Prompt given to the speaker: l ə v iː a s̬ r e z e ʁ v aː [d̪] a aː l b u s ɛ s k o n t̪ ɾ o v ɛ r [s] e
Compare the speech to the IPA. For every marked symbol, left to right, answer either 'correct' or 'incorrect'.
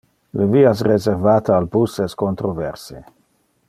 incorrect: t̪, correct

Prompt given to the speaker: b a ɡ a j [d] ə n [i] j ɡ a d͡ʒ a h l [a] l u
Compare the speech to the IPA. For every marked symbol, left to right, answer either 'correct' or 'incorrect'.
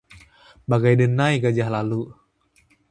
correct, incorrect: a, correct

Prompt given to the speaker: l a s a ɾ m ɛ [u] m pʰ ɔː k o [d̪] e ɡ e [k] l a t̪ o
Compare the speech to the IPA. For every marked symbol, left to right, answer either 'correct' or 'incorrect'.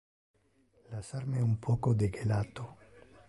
correct, correct, incorrect: none

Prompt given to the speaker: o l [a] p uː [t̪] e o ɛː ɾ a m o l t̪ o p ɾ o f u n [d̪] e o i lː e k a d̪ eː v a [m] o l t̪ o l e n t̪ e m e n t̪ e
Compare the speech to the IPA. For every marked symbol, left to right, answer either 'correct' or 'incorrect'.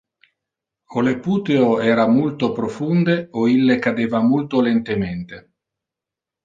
incorrect: e, correct, correct, correct

